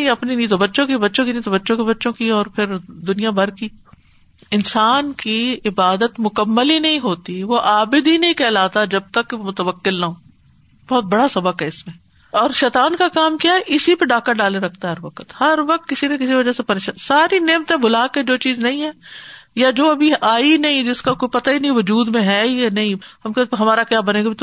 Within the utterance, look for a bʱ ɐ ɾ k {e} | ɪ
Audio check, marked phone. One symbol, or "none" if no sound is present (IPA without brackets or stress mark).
i